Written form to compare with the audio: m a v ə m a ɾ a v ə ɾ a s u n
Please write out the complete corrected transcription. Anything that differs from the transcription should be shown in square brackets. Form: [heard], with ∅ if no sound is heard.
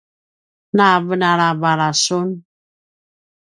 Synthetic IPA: [n] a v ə [n] a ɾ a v [a] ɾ a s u n